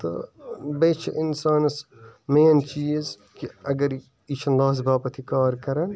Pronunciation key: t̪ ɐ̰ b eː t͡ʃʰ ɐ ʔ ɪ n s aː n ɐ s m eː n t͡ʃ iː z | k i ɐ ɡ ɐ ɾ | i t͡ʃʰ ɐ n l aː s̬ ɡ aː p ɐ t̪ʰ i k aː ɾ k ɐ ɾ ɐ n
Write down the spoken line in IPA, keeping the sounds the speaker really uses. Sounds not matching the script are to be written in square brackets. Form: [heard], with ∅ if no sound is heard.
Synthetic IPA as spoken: t̪ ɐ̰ b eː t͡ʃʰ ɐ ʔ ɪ n s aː n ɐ s m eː n t͡ʃ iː z | k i ɐ ɡ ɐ ɾ | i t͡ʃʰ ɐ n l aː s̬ [b] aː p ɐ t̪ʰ i k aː ɾ k ɐ ɾ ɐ n

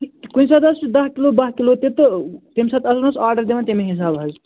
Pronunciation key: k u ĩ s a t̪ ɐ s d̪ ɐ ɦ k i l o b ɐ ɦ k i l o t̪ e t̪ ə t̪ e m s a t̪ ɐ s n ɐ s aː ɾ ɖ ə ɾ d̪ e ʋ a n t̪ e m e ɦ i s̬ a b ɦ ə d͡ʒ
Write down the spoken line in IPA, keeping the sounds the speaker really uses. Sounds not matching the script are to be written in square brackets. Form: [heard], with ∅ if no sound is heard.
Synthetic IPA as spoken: k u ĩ s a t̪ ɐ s d̪ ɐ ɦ k i l o b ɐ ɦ k i l o t̪ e t̪ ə t̪ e m s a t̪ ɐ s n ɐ s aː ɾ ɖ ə ɾ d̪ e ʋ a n t̪ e m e ɦ i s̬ a b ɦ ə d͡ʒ

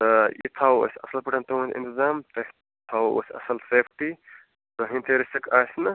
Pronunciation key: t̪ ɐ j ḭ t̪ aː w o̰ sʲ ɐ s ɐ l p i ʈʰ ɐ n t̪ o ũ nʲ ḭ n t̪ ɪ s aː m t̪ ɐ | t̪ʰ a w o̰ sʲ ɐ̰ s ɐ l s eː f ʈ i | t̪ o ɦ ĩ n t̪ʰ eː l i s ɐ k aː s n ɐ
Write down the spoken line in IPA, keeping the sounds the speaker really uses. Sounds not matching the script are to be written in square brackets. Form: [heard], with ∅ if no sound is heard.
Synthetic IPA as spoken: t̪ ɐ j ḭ [t̪ʰ] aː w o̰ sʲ ɐ s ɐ l p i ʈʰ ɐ n t̪ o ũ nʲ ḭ n t̪ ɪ [z] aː m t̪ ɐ | t̪ʰ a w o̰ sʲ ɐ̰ s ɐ l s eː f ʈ i | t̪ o ɦ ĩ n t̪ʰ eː [ɾ] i s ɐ k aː s n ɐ

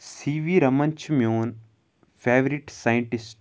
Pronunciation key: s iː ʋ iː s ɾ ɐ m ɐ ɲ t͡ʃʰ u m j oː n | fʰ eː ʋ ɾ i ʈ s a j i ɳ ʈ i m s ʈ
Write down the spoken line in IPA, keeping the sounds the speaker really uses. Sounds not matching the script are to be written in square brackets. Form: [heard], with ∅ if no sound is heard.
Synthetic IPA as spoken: s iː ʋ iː [∅] ɾ ɐ m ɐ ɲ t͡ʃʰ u m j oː n | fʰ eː ʋ ɾ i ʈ s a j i ɳ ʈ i [∅] s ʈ

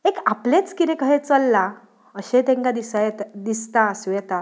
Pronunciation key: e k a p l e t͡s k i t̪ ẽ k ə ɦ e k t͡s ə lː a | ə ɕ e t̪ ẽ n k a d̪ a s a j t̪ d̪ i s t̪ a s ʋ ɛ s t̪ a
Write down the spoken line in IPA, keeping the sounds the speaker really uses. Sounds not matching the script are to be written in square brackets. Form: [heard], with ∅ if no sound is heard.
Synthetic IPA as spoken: e k a p l e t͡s k i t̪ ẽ k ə ɦ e [∅] t͡s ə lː a | ə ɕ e t̪ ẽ [ŋ] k a d̪ [i] s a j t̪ d̪ i s t̪ a s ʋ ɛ [∅] t̪ a

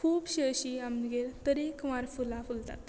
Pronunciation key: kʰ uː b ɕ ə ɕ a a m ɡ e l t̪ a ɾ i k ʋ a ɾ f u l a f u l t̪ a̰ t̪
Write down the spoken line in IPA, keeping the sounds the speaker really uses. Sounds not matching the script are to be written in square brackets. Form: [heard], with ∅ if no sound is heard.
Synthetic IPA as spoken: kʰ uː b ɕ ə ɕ [i] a m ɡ e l t̪ [ə] ɾ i k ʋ a ɾ f u l a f u l t̪ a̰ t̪

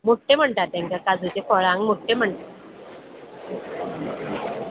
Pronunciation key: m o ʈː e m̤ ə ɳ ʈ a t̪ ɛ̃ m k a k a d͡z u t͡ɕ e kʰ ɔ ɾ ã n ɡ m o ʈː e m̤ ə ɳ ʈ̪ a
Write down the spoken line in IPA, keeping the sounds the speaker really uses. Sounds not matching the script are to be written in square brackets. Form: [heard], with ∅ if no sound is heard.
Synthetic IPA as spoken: m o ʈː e m̤ ə ɳ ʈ a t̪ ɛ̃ [ŋ] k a k a d͡z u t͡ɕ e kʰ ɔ [ɭ] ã [ŋ] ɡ m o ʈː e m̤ ə ɳ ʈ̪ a

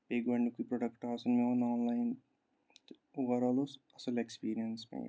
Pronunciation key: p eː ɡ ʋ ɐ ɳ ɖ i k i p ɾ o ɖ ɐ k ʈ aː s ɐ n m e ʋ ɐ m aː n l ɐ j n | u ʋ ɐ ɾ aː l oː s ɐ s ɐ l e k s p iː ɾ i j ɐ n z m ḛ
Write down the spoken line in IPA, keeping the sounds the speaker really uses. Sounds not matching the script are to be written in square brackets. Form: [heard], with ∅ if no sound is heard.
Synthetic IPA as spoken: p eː ɡ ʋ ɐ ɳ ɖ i k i p ɾ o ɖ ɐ k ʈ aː s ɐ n m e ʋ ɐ [n] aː n l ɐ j n | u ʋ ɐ ɾ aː l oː s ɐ s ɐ l e k s p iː ɾ i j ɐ n [s] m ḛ

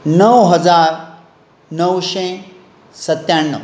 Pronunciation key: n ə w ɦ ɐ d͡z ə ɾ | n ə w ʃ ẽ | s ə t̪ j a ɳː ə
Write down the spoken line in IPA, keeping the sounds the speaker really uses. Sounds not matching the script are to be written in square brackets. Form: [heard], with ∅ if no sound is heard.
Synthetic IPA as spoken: n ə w ɦ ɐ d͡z [a] ɾ | n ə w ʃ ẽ | s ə t̪ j a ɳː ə

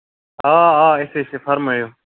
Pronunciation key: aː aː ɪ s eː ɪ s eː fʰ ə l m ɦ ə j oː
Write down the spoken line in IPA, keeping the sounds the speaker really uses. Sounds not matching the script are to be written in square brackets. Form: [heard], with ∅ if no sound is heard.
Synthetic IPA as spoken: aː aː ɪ s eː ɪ s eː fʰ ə [ɾ] m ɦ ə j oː

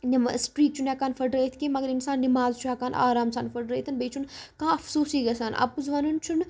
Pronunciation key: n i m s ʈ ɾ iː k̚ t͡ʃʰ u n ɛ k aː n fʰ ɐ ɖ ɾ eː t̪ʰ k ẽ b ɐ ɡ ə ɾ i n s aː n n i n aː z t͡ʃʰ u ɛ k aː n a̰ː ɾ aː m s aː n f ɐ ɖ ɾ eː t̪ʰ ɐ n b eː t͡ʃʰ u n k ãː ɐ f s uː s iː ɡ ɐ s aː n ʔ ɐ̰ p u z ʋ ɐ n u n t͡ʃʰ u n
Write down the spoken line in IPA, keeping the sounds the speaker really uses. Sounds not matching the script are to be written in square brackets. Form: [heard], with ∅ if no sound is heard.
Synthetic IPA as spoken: n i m s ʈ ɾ iː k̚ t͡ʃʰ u n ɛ k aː n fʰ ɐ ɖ ɾ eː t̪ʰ k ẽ [m] ɐ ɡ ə ɾ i n s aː n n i [m] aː z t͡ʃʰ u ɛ k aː n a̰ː ɾ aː m s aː n f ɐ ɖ ɾ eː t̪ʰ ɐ n b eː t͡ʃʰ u n k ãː ɐ f s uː s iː ɡ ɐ s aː n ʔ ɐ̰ p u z ʋ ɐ n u n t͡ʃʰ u n

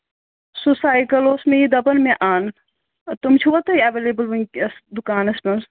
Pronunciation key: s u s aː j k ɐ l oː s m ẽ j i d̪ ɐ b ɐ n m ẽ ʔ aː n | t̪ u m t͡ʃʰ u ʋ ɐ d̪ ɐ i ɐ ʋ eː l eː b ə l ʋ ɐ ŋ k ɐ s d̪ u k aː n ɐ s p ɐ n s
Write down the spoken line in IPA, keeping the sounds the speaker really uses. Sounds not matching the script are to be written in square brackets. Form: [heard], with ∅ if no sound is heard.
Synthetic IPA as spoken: s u s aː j k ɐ l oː s m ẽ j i d̪ ɐ b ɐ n m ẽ ʔ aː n | t̪ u m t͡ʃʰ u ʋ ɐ [t̪] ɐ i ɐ ʋ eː l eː b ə l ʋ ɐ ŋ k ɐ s d̪ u k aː n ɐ s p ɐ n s

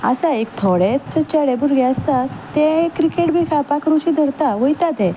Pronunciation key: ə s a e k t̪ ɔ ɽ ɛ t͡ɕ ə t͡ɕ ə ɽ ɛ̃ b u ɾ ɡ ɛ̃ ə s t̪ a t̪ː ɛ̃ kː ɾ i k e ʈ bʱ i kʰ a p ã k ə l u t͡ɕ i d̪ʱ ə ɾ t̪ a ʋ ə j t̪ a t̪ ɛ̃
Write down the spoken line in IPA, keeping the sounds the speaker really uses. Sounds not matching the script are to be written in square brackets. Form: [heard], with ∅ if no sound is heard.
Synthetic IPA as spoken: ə s a e k [t̪ʰ] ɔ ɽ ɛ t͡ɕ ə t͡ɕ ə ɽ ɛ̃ b u ɾ ɡ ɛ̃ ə s t̪ a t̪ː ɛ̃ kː ɾ i k e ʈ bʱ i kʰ a p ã k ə [ɾ] u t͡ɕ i d̪ʱ ə ɾ t̪ a ʋ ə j t̪ a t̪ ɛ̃

